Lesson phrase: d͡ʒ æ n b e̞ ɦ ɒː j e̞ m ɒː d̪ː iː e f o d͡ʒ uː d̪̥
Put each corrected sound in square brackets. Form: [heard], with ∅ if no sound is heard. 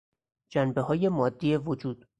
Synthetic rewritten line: d͡ʒ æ n b e̞ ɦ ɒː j e̞ m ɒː d̪ː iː e [v] o d͡ʒ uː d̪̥